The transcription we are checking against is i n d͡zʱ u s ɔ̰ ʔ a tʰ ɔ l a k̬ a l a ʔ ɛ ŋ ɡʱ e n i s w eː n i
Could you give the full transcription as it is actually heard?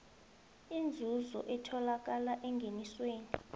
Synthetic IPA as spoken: i n d͡zʱ u z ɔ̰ ʔ ɛ tʰ ɔ l a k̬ a l a ʔ ɛ ŋ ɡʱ e n i s w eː n i